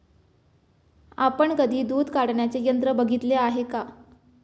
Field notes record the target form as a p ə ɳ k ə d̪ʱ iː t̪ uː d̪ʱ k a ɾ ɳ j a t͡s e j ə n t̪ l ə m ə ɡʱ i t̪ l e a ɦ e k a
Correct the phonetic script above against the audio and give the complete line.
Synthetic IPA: a p ə ɳ k ə d̪ʱ iː d̪ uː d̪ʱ k a ɽ ɳ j a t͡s e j ə n t̪ ɾ ə b ə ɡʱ i t̪ l e a ɦ e k a

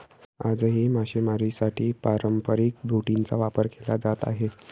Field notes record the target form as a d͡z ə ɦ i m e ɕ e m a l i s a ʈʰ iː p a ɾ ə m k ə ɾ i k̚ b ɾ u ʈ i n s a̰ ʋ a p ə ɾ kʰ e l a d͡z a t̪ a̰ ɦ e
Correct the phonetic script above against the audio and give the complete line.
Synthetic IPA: a d͡z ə ɦ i m a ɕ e m a ɾ i s a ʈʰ iː p a ɾ ə m p ə ɾ i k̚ b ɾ u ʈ i n t͡s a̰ ʋ a p ə ɾ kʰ e l a d͡z a t̪ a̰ ɦ e

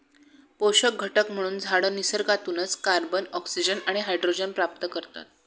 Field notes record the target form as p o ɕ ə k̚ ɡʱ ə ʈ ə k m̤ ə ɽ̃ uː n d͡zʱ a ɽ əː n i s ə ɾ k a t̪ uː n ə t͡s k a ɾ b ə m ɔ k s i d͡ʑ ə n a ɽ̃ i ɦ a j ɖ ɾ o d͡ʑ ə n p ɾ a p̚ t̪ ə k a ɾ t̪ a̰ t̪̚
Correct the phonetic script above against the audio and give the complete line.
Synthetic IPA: p o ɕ ə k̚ ɡʱ ə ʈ ə k m̤ ə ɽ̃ uː n d͡zʱ a ɽ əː n i s ə ɾ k a t̪ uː n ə t͡s k a ɾ b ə n ɔ k s i d͡ʑ ə n a ɽ̃ i ɦ a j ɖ ɾ o d͡ʑ ə n p ɾ a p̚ t̪ ə k ə ɾ t̪ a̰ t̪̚

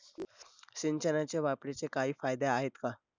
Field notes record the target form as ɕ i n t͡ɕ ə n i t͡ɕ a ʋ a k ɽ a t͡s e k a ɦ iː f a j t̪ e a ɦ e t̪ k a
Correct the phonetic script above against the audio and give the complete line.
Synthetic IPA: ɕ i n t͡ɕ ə n a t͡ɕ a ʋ a p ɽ e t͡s e k a ɦ iː f a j d̪ e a ɦ e t̪ k a

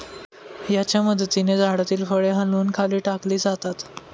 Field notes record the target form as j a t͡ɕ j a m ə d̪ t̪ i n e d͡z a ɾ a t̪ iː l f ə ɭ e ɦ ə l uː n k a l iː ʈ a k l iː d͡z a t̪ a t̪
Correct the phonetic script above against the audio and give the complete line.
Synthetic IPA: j a t͡ɕ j a m ə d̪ t̪ i n e d͡z a ɽ a t̪ iː l f ə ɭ e ɦ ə l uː n kʰ a l iː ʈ a k l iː d͡z a t̪ a t̪

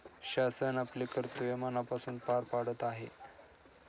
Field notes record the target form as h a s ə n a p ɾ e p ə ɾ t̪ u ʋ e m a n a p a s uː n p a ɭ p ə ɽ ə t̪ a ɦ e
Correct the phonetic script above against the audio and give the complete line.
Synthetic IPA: ɕ a s ə n a p l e k ə ɾ t̪ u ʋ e m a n a p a s uː n p a ɾ p a ɽ ə t̪ a ɦ e

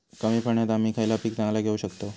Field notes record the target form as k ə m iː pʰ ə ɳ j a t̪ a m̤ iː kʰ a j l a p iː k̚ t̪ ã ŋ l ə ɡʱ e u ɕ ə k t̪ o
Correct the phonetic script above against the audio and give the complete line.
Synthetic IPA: k ə m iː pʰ ə ɳ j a t̪ a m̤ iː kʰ a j l a p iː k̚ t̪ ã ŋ l a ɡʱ e u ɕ ə k t̪ o

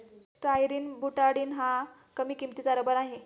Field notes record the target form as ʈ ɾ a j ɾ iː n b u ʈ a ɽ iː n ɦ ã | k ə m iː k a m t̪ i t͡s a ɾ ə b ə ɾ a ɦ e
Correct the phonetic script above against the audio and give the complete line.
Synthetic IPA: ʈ ɾ a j ɾ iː n b u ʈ a ɽ iː n ɦ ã | k ə m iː k i m t̪ i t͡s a ɾ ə b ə ɾ a ɦ e

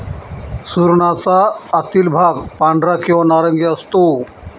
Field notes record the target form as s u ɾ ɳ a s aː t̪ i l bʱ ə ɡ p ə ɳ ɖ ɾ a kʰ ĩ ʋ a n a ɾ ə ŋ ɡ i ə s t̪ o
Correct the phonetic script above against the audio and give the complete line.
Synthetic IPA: s u ɾ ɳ a t͡s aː t̪ i l bʱ a ɡ p a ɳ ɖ ɾ a k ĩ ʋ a n a ɾ ə ŋ ɡ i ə s t̪ o

